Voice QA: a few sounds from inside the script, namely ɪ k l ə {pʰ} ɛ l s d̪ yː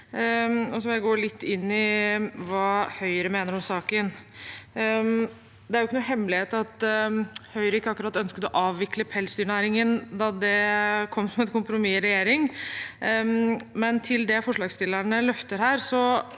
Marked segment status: correct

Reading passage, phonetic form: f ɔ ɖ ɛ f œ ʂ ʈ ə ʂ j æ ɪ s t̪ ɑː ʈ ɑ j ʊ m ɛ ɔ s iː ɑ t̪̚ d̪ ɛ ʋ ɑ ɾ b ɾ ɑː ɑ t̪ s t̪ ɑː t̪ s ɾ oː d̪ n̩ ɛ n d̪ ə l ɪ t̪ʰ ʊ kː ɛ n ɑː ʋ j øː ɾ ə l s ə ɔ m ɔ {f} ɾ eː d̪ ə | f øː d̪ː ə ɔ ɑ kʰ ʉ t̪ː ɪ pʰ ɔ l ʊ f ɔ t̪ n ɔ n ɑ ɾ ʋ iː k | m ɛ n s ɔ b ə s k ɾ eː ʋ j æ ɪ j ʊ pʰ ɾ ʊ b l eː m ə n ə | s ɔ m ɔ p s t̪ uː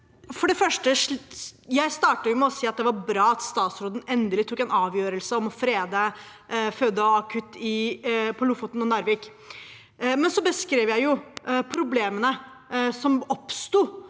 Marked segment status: correct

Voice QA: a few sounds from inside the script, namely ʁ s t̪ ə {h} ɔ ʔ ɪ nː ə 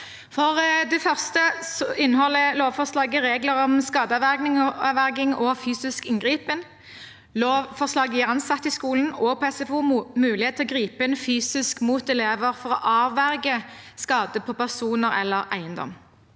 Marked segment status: incorrect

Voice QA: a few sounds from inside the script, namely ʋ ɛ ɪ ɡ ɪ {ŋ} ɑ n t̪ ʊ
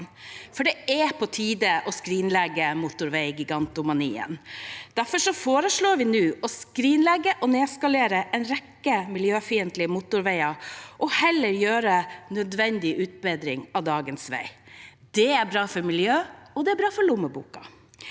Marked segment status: incorrect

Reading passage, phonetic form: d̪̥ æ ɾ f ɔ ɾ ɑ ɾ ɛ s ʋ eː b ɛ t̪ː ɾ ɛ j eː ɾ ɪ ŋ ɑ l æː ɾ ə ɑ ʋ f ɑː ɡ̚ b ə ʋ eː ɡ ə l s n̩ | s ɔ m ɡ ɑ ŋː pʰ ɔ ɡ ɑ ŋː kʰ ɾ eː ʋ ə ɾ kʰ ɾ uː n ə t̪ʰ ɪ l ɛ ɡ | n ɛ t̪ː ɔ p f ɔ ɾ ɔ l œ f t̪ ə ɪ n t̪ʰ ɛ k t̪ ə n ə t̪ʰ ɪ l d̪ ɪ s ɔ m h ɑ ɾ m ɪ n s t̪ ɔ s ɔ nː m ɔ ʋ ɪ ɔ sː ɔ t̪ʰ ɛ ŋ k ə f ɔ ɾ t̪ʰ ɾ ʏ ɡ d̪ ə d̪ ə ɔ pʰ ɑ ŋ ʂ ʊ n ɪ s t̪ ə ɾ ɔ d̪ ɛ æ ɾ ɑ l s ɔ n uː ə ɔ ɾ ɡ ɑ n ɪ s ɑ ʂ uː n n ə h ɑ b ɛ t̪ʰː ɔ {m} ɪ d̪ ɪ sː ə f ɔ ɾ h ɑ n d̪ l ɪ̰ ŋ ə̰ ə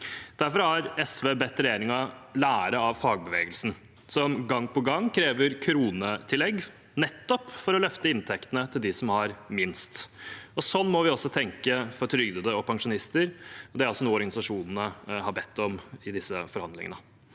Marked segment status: correct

